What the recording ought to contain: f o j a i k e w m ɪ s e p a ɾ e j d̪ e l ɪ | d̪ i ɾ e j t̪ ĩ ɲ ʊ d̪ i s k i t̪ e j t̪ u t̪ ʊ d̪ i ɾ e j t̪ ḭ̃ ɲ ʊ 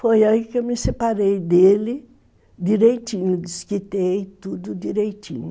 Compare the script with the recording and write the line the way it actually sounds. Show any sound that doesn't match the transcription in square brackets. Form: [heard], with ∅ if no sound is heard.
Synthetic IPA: f o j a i k e w m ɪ s e p a ɾ e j d̪ e l ɪ | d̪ i ɾ e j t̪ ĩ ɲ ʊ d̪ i s k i t̪ e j t̪ u [d̪] ʊ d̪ i ɾ e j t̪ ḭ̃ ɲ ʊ